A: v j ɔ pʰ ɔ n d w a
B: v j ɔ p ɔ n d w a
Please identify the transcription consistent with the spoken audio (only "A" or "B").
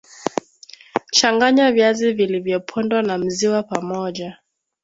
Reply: A